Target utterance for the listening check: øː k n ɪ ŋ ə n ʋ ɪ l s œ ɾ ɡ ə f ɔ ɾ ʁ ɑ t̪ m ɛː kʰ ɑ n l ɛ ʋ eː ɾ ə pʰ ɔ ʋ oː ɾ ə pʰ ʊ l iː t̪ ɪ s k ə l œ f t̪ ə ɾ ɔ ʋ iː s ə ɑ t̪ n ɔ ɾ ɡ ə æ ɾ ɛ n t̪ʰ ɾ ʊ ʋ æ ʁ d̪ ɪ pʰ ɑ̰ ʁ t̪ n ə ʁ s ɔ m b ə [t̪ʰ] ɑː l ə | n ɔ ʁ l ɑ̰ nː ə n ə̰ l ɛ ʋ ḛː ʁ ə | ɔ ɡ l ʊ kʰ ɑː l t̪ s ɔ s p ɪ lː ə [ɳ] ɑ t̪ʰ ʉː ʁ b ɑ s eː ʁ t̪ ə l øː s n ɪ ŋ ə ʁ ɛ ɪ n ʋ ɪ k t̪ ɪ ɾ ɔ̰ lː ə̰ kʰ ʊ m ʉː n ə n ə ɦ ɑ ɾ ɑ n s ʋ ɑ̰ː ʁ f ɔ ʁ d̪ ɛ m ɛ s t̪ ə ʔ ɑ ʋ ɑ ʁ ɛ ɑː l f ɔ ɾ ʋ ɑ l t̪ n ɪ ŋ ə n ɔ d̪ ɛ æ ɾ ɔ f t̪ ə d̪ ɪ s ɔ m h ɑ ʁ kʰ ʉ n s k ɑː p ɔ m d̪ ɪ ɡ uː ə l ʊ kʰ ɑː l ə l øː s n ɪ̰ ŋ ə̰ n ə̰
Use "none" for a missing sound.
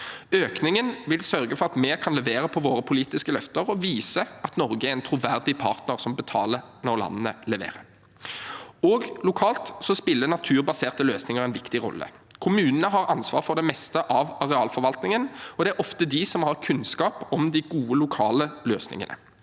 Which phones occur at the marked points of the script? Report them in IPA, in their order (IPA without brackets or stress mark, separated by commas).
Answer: t̪ʰ, n